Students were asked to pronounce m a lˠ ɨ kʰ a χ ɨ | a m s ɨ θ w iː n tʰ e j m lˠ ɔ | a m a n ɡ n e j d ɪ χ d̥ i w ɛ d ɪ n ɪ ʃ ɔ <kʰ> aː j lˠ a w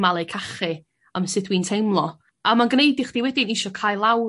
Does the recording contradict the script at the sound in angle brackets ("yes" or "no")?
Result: no